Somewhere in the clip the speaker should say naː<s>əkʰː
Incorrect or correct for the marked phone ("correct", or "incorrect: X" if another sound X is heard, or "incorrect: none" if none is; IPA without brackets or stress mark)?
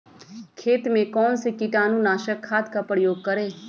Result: incorrect: ʃ